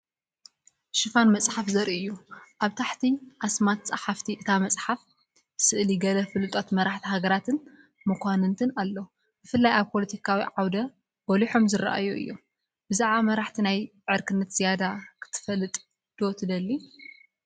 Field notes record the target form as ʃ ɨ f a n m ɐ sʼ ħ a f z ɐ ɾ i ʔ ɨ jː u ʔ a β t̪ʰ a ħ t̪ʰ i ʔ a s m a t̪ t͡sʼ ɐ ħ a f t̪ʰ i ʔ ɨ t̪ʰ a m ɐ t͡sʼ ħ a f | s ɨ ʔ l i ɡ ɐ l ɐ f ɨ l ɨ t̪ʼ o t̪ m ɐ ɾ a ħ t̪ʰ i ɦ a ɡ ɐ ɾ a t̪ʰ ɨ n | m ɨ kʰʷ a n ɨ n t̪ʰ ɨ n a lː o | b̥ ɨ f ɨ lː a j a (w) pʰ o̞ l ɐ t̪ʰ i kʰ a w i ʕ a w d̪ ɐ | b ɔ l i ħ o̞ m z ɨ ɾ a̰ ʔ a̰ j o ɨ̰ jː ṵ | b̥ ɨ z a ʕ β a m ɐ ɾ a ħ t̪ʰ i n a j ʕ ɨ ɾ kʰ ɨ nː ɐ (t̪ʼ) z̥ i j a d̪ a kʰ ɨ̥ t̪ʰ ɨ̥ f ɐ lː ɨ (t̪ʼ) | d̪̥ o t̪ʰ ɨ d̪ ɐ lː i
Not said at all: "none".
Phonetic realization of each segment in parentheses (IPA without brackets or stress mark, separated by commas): β, t̪, t̪ʼ